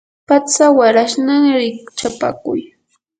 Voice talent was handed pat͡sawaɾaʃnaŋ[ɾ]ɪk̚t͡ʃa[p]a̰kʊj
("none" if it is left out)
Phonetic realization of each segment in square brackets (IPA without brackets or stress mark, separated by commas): ɾ, p